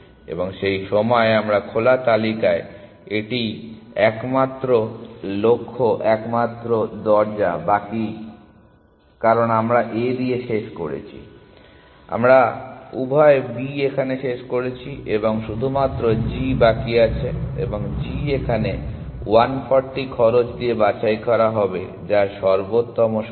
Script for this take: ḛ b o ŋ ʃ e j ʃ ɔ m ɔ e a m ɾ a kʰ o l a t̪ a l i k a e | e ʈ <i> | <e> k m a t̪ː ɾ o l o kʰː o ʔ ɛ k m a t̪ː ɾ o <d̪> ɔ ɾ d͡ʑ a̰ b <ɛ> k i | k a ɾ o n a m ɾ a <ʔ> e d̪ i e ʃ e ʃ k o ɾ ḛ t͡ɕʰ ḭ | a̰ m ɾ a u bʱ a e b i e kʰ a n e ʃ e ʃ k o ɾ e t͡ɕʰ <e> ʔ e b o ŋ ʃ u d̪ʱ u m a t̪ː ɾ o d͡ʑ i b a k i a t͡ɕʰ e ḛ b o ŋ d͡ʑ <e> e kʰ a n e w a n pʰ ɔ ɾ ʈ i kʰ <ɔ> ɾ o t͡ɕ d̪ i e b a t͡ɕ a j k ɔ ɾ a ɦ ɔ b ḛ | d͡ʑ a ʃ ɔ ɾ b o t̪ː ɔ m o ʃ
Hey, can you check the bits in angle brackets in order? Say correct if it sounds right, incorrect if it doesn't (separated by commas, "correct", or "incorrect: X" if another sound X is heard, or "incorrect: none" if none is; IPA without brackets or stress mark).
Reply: correct, incorrect: ɛ, correct, incorrect: a, correct, incorrect: i, incorrect: i, correct